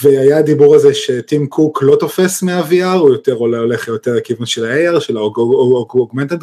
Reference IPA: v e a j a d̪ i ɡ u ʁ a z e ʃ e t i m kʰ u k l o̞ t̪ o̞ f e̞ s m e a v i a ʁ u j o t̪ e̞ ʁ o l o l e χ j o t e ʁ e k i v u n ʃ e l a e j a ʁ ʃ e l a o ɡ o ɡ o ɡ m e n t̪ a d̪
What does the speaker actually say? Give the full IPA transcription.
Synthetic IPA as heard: v e a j a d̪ i b u ʁ a z e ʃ e t i m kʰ u k l o̞ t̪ o̞ f e̞ s m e a v i a ʁ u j o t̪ e̞ ʁ o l o l e χ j o t e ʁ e k i v u n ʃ e l a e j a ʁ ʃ e l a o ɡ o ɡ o ɡ m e n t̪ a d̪